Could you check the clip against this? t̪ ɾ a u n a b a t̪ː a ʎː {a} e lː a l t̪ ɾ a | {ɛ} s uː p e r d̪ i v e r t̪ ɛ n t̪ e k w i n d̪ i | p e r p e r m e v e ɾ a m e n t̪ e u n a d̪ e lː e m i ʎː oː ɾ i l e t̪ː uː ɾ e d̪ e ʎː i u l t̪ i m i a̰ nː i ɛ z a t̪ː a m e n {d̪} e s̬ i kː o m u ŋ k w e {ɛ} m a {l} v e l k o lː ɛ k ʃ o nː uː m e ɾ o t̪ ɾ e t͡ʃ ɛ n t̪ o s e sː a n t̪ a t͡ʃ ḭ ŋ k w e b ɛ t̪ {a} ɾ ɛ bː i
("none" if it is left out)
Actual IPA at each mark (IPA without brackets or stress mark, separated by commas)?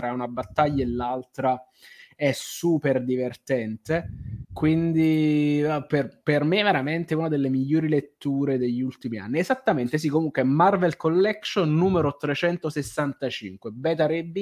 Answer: a, ɛ, t̪, ɛ, r, a